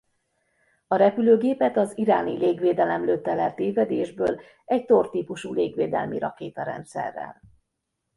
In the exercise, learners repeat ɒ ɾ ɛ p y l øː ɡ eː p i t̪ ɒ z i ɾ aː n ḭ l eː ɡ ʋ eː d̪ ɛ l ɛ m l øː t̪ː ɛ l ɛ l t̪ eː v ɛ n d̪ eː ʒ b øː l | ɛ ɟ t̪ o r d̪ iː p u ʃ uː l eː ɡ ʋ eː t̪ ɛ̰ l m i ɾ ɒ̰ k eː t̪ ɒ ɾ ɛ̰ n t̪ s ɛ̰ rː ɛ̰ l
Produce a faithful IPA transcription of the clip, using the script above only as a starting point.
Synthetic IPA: ɒ ɾ ɛ p y l øː ɡ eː p ɛ t̪ ɒ z i ɾ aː n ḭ l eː ɡ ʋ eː d̪ ɛ l ɛ m l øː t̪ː ɛ l ɛ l t̪ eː v ɛ d̪ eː ʒ b øː l | ɛ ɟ t̪ o r t̪ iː p u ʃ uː l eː ɡ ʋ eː d̪ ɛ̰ l m i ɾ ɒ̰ k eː t̪ ɒ ɾ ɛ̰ n t̪ s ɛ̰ rː ɛ̰ l